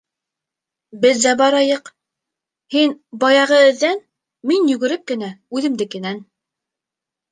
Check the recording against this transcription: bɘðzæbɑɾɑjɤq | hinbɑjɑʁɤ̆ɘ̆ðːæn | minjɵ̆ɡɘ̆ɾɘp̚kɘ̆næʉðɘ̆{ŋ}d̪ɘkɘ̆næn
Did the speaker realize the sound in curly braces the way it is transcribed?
no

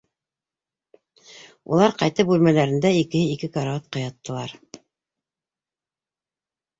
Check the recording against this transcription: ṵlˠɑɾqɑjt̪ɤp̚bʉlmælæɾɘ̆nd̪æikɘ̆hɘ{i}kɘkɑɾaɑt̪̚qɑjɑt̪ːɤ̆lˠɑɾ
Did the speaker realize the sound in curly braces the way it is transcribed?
yes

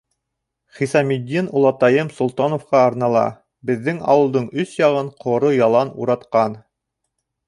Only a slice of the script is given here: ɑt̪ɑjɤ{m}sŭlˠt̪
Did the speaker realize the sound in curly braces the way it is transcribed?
yes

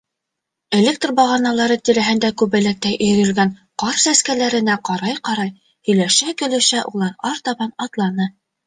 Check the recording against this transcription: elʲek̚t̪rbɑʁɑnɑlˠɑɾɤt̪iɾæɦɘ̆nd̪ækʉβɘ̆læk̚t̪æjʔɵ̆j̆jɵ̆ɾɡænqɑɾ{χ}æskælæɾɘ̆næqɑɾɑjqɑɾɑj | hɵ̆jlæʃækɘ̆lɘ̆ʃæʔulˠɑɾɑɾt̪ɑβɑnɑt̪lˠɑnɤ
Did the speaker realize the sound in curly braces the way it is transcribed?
no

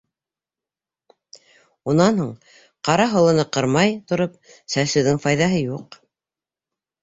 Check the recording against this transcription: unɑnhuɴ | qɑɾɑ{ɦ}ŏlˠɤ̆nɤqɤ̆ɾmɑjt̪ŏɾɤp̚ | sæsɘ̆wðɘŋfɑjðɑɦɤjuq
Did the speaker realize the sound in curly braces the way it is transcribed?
yes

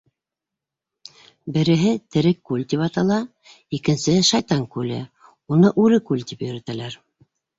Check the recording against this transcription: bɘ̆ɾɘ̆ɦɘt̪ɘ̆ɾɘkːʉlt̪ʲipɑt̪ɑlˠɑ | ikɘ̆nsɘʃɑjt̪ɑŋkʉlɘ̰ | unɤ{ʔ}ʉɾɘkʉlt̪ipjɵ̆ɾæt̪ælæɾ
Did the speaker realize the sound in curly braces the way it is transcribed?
yes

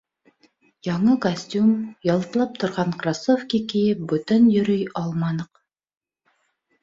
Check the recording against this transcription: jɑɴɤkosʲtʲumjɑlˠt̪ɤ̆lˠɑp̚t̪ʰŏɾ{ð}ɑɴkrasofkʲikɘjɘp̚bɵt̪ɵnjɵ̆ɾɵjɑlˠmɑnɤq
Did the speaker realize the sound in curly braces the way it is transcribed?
no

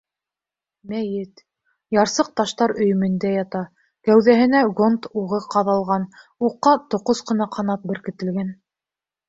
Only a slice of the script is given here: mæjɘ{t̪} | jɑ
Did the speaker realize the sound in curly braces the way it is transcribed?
yes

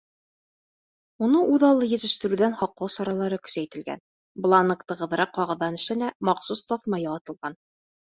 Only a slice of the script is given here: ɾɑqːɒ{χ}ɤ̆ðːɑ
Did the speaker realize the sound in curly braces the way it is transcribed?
no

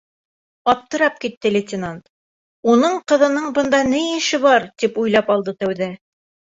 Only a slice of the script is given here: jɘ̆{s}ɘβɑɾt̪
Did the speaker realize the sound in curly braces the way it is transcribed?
no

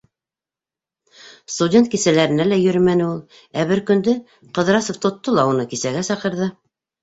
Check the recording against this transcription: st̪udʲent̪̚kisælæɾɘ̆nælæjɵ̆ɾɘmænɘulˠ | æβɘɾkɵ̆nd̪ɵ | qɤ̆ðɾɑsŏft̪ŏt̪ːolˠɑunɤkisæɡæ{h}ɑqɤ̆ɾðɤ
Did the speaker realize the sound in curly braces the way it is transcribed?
no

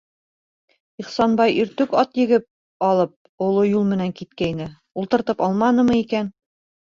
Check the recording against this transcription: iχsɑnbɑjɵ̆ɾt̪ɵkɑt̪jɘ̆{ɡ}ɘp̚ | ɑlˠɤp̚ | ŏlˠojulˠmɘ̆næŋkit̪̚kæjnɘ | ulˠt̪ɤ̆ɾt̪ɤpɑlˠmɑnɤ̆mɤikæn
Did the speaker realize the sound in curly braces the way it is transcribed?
yes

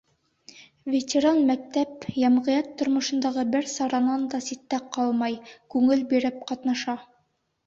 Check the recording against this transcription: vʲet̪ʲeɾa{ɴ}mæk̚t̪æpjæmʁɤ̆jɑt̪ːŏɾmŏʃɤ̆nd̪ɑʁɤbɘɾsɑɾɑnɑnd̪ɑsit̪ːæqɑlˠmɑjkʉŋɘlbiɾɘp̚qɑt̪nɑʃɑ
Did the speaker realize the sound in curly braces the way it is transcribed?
no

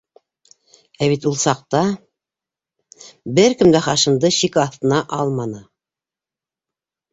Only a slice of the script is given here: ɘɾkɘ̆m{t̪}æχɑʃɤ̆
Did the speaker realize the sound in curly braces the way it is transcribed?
no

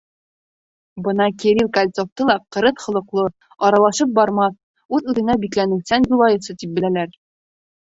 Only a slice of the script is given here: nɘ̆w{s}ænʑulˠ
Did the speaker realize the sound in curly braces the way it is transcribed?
yes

